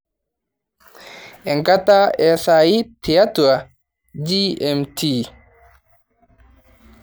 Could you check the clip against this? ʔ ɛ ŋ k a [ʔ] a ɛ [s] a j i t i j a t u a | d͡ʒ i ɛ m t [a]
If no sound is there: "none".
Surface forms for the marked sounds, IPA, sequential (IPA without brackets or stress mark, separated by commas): t, s, i